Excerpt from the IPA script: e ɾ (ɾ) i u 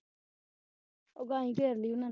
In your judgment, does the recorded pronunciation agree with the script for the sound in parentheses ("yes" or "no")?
no